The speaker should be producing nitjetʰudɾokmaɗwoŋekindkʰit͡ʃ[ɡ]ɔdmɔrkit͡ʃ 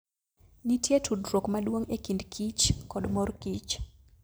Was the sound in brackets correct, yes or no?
no